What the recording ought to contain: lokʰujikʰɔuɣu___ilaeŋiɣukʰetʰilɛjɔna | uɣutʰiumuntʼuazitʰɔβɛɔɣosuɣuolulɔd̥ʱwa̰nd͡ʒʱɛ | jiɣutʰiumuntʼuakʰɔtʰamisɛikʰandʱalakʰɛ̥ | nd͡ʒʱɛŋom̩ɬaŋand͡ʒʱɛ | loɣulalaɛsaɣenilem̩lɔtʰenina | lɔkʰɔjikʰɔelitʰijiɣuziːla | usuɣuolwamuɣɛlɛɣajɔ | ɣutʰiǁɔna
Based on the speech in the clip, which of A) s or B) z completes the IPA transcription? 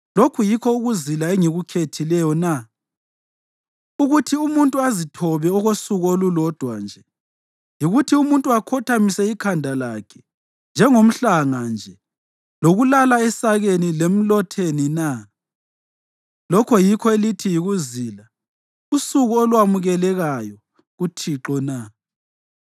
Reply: B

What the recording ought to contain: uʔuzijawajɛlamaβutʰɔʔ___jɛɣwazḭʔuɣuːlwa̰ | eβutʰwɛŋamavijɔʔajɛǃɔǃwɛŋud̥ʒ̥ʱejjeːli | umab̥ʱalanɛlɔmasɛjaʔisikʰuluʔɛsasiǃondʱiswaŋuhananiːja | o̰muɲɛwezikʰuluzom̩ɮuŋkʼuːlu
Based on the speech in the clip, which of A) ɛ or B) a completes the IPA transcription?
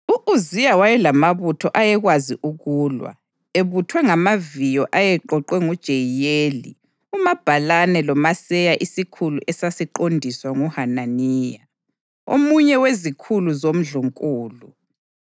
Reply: B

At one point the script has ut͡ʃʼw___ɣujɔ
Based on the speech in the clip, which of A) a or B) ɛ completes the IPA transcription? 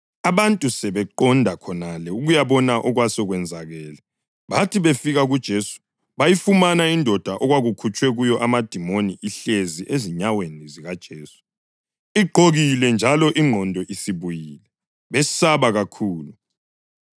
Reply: B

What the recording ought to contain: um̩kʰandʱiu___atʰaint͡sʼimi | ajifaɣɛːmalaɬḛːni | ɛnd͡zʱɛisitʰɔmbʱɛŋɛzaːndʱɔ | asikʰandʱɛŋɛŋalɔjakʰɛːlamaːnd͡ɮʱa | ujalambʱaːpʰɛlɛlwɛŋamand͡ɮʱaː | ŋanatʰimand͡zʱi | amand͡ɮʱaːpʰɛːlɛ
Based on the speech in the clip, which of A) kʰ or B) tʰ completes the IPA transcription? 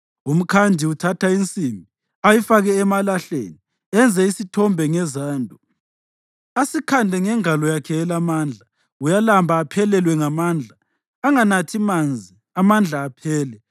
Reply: B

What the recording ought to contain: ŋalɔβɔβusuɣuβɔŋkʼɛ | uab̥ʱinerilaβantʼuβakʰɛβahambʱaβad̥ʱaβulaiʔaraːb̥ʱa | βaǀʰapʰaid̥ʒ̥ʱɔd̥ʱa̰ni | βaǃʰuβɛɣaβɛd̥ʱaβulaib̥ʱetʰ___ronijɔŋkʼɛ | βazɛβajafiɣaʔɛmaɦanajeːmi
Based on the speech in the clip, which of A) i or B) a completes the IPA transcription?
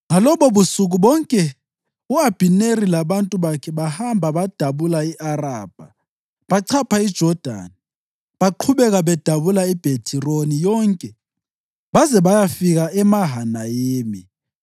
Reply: A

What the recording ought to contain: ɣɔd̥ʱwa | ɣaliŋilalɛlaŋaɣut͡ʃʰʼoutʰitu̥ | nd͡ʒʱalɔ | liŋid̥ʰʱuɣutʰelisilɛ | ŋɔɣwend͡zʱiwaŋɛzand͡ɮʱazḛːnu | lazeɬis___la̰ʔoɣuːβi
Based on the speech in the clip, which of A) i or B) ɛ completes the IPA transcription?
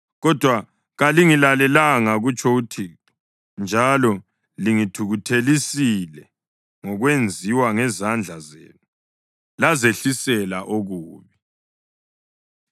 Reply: B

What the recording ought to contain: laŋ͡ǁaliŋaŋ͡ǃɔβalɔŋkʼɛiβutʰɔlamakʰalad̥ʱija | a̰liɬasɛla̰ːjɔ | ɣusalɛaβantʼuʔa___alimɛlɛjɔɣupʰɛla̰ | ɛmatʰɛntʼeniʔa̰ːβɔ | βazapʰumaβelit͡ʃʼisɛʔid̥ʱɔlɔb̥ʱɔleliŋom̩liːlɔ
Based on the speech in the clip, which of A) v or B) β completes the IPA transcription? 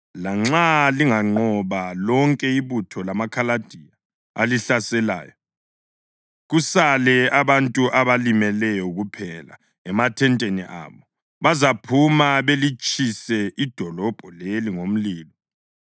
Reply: B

